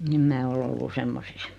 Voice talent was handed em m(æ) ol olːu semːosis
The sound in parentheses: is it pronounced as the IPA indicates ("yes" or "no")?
no